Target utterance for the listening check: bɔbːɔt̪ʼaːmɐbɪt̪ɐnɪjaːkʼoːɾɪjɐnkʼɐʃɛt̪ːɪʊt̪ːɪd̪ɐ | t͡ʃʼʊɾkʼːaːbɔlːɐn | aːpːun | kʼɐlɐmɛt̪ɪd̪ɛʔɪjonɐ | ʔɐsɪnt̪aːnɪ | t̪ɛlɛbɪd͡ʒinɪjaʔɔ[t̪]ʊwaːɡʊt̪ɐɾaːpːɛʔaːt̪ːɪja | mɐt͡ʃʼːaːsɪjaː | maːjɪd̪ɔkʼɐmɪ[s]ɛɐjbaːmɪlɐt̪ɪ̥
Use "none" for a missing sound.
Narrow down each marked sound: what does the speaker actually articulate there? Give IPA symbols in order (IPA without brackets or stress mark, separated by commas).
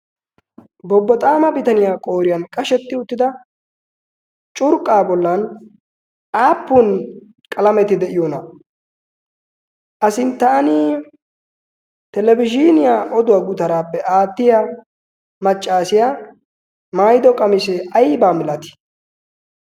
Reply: d̪, s